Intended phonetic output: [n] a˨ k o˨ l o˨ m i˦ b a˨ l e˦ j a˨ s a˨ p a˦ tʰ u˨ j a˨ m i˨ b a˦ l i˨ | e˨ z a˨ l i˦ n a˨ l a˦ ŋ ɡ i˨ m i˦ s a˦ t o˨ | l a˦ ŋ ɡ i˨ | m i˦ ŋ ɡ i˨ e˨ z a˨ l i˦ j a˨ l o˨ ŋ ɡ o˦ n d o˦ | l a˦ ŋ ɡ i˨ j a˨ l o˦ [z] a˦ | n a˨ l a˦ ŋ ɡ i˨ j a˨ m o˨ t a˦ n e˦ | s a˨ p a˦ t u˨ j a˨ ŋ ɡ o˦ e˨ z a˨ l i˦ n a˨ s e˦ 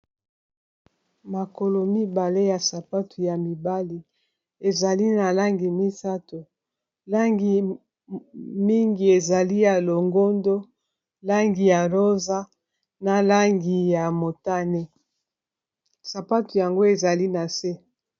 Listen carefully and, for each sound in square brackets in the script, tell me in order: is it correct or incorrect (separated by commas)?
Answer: incorrect, correct